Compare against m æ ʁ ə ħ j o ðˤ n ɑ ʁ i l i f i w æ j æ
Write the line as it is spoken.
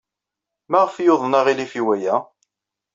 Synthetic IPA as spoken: m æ ʁ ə f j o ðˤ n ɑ ʁ i l i f i w æ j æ